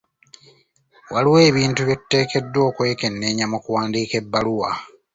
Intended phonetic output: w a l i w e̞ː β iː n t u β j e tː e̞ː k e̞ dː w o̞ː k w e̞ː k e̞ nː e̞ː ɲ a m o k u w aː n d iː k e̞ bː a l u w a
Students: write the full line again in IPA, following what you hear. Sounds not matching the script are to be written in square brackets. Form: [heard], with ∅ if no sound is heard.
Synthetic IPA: w a l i w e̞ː β iː n t u β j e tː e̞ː k e̞ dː w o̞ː k w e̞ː k e̞ nː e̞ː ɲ a m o k u w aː n d iː k e̞ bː a l u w a